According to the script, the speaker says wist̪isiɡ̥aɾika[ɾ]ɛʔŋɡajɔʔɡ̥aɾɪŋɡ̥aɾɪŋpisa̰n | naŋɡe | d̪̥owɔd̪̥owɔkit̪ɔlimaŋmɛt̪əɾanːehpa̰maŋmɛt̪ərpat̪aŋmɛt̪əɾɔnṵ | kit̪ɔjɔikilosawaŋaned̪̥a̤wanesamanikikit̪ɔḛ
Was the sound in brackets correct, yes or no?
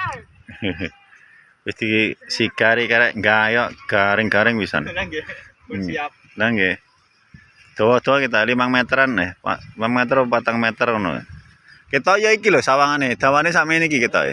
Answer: yes